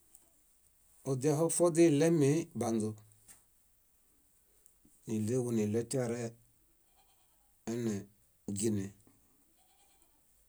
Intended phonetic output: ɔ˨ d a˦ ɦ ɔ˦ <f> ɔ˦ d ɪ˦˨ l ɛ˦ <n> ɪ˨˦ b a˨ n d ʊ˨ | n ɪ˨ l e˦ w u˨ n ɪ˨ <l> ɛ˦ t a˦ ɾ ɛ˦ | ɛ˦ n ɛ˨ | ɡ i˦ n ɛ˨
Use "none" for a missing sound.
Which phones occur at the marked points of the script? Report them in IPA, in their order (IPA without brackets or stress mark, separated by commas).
f, m, l